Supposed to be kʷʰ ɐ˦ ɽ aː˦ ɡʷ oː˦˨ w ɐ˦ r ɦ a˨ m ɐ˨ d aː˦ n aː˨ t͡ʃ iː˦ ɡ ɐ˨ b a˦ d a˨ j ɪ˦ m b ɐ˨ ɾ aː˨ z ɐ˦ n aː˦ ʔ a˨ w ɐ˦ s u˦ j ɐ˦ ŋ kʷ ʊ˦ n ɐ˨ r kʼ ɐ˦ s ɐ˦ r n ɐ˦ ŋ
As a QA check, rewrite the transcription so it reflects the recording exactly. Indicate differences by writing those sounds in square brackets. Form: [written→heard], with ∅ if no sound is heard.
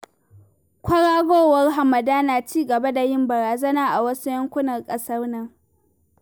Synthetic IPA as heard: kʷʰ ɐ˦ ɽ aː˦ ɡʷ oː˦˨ w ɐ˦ r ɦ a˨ m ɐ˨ d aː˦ n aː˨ t͡ʃ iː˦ ɡ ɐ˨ b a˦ d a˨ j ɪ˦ m b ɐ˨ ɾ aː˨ z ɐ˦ n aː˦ ʔ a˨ w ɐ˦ s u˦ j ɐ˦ ŋ kʷ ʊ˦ n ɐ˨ r kʼ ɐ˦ s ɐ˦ r n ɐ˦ ŋ